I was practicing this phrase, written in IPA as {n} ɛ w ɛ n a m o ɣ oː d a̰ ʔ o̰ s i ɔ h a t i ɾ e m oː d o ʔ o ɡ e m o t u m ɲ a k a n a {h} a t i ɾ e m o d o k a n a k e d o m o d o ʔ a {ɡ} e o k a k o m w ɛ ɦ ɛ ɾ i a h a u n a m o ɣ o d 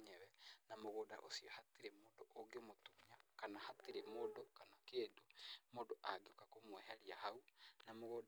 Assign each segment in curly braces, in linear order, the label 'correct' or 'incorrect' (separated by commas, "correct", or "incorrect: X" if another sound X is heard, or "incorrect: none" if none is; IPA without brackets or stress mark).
incorrect: ɲ, correct, correct